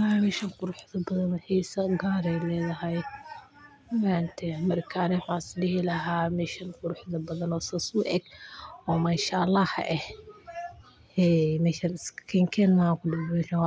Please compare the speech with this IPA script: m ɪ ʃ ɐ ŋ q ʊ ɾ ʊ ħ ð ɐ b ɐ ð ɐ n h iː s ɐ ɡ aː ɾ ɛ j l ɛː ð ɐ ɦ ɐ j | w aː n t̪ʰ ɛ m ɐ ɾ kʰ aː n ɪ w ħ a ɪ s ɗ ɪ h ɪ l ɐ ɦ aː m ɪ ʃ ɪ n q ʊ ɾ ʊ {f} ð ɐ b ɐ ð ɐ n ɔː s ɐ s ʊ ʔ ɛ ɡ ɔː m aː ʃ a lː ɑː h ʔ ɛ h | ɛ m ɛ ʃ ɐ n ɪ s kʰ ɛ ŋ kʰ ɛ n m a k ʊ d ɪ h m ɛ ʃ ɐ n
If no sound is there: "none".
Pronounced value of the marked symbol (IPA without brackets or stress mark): ħ